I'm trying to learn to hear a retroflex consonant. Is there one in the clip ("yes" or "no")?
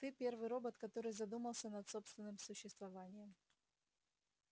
no